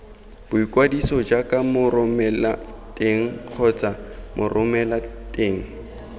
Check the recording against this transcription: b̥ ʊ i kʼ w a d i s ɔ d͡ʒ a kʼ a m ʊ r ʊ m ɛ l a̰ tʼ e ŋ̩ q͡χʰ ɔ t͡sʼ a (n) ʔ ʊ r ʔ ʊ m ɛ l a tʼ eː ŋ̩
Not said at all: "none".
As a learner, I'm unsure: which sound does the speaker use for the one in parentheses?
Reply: m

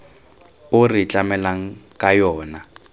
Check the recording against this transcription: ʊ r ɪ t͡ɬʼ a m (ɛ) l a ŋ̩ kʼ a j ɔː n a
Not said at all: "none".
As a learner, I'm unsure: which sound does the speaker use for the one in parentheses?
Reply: ɛ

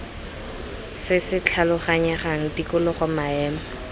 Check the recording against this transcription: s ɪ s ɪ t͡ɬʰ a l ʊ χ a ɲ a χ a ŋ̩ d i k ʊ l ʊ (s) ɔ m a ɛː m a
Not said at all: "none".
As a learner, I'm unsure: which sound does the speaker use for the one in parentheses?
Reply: χ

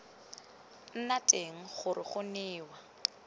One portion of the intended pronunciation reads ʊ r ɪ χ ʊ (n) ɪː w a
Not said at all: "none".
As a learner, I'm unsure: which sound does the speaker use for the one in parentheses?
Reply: n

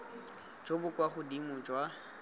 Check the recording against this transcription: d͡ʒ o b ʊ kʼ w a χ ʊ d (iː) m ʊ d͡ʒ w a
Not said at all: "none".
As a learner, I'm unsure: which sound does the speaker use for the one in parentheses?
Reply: i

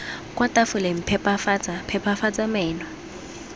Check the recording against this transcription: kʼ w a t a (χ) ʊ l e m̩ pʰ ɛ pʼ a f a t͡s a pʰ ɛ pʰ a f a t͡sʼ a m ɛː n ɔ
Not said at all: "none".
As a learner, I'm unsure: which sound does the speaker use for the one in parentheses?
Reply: f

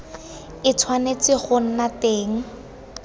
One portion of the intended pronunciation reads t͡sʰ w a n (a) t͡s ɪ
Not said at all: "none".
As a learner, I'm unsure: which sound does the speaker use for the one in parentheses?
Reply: e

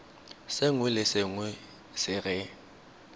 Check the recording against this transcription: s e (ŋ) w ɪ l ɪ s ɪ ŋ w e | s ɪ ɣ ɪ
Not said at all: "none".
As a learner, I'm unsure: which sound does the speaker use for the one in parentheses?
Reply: ŋ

